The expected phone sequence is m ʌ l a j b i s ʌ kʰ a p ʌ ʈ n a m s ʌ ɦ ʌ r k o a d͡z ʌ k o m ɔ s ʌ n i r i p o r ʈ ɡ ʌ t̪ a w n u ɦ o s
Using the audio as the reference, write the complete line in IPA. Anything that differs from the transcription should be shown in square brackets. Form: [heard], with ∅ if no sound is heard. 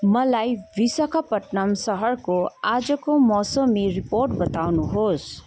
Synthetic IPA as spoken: m ʌ l a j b i s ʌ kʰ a p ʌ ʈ n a m s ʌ ɦ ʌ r k o a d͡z ʌ k o m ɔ s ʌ [m] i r i p o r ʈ [b] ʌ t̪ a w n u ɦ o s